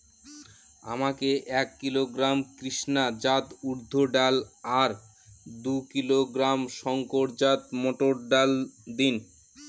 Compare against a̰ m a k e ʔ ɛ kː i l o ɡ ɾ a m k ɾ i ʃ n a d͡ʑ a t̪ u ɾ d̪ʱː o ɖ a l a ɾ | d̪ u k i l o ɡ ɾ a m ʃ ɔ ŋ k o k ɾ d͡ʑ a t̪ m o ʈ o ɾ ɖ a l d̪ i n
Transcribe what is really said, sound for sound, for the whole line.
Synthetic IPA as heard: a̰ m a k e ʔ ɛ kː i l o ɡ ɾ a m k ɾ i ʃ n a d͡ʑ a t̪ u ɾ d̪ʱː o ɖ a l a ɾ | d̪ u k i l o ɡ ɾ a m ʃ ɔ ŋ k o ɾ d͡ʑ a t̪ m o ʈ o ɾ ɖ a l d̪ i n

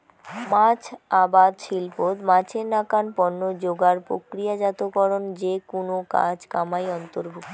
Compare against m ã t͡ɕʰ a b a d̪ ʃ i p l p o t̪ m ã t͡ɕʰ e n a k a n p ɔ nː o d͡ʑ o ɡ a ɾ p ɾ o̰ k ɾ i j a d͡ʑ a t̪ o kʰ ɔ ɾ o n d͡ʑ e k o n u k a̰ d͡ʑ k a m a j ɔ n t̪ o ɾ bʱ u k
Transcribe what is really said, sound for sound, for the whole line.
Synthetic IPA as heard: m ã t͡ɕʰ a b a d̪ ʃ i l p o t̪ m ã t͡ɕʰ e n a k a n p ɔ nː o d͡ʑ o ɡ a ɾ p ɾ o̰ k ɾ i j a d͡ʑ a t̪ o k ɔ ɾ o n d͡ʑ e k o n o k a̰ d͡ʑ k a m a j ɔ n t̪ o ɾ bʱ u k

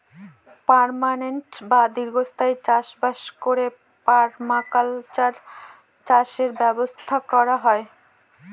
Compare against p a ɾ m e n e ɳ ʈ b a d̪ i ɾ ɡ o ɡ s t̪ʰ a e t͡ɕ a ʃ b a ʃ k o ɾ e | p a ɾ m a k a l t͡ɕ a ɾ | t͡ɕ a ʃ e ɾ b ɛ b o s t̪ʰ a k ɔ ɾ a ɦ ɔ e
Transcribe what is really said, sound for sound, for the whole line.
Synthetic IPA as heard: p a ɾ m a n e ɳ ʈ b a d̪ i ɾ ɡ o s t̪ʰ a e t͡ɕ a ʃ b a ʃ k o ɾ e | p a ɾ m a k a l t͡ɕ a ɾ | t͡ɕ a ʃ e ɾ b ɛ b o s t̪ʰ a k ɔ ɾ a ɦ ɔ e

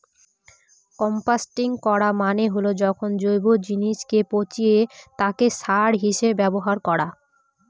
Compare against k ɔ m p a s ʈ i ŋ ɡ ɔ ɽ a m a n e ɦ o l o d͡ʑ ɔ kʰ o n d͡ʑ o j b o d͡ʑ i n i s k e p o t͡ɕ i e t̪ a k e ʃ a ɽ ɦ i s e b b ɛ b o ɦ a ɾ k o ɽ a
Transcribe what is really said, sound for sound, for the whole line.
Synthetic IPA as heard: k ɔ m p a s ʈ i ŋ k ɔ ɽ a m a n e ɦ o l o d͡ʑ ɔ kʰ o n d͡ʑ o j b o d͡ʑ i n i ʃ k e p o t͡ɕ i e t̪ a k e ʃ a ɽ ɦ i ʃ e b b ɛ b o ɦ a ɾ k ɔ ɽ a

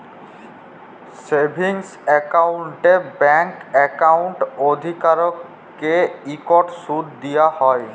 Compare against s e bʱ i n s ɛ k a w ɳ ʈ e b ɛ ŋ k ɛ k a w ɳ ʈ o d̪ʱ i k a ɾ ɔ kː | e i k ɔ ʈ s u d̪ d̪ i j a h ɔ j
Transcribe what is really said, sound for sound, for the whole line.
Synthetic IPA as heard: s e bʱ i ŋ s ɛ k a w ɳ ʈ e b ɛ ŋ k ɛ k a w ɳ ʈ o d̪ʱ i k a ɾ ɔ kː | e i k ɔ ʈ s u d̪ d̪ i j a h ɔ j

